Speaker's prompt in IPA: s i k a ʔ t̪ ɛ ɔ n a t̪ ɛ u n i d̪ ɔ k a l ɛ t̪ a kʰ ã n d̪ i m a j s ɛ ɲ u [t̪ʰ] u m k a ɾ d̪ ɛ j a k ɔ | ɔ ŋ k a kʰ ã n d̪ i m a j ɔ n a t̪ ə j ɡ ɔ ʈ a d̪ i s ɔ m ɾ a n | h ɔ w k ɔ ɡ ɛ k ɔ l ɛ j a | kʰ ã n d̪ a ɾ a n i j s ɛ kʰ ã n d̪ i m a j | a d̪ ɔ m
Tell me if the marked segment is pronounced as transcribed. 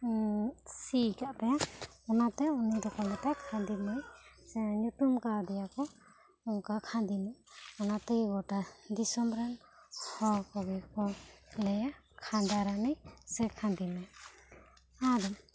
no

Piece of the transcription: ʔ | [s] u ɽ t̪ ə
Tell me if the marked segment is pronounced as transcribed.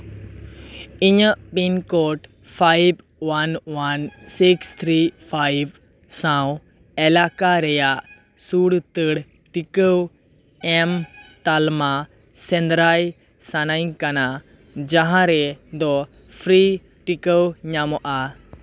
yes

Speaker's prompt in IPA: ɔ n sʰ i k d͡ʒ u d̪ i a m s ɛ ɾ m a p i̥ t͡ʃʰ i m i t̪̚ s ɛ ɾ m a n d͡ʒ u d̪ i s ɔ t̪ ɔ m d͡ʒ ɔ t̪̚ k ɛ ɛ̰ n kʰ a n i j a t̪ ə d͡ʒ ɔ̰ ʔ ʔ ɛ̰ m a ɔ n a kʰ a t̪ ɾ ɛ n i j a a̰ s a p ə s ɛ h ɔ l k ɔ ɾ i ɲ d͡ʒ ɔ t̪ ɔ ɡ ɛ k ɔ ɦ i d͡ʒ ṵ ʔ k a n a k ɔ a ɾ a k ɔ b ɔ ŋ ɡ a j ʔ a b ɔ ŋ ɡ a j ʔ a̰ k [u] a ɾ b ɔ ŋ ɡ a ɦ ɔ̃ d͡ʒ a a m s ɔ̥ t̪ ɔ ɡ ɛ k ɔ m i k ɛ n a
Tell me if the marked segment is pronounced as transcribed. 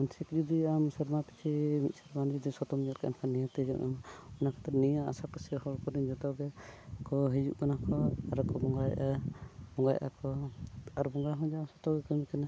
no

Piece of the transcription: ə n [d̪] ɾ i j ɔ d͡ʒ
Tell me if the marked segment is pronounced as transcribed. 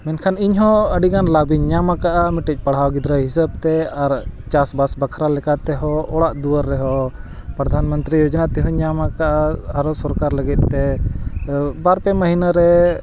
no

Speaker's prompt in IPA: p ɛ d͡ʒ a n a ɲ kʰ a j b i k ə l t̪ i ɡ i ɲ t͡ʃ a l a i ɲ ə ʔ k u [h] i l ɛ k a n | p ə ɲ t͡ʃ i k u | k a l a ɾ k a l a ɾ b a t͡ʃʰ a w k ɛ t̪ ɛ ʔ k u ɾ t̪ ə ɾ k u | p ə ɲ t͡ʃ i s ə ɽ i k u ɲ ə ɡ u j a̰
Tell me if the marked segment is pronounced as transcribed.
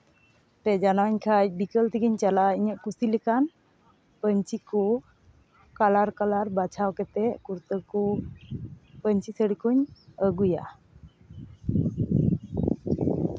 no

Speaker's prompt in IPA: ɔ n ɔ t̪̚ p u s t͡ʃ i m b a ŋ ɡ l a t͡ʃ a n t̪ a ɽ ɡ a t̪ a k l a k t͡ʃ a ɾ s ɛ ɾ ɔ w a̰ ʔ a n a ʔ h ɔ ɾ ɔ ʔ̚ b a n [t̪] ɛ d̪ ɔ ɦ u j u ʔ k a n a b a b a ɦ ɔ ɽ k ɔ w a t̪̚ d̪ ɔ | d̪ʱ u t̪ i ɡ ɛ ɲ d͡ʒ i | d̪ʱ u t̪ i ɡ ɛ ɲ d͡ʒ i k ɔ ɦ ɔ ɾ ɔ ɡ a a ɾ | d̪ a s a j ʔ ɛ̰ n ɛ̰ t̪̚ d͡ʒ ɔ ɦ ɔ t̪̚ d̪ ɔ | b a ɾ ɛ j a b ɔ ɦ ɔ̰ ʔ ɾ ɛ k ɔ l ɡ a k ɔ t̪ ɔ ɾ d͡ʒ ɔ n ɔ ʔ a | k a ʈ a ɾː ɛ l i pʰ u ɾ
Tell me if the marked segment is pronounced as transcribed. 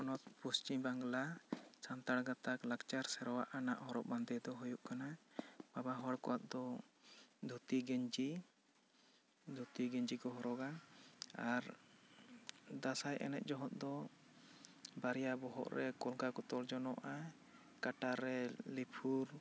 no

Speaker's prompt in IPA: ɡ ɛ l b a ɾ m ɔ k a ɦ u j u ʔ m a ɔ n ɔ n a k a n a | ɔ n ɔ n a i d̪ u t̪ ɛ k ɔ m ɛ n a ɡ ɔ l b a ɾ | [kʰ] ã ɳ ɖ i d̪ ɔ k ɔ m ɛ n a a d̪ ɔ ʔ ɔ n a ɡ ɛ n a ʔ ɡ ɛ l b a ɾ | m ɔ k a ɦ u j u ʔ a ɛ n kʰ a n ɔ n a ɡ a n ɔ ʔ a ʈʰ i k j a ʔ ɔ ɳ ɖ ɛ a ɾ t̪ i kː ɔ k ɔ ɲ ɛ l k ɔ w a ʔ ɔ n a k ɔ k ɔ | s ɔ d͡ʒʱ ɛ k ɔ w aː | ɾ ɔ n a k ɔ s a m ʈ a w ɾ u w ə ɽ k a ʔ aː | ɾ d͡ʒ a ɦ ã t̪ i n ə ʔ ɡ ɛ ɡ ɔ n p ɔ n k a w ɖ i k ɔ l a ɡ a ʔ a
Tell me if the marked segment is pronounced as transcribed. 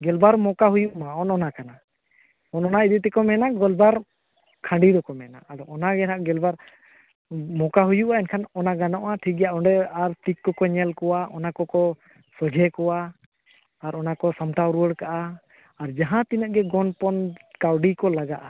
yes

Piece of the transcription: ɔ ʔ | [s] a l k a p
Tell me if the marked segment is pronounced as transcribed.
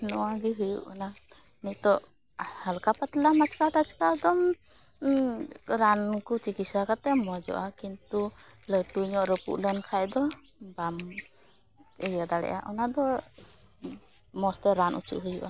no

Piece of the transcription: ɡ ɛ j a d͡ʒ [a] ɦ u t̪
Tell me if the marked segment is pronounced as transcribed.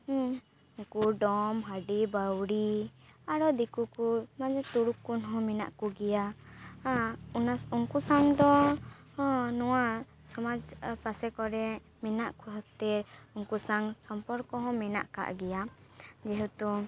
no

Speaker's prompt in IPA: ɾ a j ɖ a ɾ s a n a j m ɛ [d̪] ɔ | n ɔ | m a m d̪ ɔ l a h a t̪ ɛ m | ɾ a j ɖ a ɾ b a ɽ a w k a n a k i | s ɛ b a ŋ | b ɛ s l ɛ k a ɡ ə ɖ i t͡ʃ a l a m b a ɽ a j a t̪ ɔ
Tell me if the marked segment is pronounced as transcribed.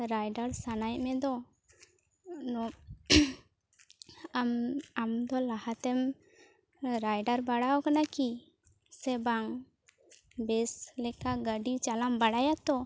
yes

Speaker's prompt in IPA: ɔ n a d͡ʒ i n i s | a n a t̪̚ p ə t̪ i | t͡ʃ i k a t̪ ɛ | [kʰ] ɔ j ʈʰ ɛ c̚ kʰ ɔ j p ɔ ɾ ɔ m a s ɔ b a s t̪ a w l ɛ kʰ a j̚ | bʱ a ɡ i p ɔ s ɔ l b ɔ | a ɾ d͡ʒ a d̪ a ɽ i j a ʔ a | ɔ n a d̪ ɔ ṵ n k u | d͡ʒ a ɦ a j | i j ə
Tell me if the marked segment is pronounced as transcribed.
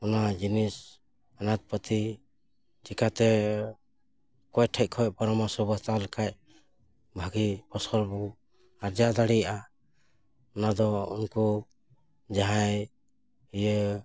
no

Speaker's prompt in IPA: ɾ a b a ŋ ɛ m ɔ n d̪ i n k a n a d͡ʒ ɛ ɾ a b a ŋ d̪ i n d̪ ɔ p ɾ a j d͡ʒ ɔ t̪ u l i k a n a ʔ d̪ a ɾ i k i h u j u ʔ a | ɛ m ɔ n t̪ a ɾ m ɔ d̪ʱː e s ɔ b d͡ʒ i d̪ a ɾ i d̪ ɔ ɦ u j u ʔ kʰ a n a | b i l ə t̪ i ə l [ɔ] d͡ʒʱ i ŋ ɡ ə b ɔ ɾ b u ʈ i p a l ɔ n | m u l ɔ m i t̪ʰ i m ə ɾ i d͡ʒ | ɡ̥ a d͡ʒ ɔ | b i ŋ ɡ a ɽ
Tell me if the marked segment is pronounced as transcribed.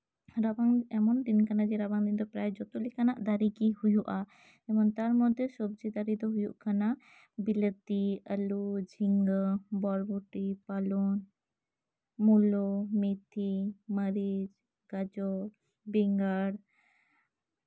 no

